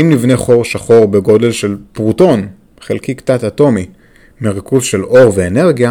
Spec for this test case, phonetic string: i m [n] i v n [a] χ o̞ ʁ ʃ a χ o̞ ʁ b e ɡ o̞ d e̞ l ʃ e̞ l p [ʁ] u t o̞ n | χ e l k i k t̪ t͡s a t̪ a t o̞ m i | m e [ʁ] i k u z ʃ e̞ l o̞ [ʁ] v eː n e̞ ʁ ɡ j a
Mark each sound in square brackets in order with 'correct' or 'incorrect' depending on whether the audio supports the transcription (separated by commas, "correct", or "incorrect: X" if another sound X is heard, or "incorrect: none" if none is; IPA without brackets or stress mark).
correct, incorrect: e, correct, correct, correct